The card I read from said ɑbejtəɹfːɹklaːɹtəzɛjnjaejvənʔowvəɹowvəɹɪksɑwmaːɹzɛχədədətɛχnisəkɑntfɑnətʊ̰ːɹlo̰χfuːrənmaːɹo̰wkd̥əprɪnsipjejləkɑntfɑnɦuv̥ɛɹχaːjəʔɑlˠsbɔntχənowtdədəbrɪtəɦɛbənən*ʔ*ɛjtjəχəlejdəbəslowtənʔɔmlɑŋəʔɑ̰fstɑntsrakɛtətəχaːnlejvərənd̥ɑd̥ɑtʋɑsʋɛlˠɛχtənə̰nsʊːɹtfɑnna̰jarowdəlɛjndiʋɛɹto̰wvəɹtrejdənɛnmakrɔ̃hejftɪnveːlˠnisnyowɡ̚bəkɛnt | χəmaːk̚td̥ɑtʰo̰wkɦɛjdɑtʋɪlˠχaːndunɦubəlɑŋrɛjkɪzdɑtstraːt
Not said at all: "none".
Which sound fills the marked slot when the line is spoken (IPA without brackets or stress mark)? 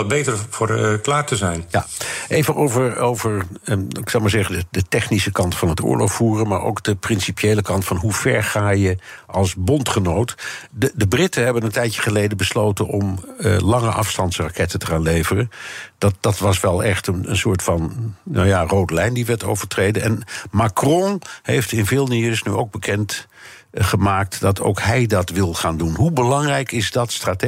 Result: t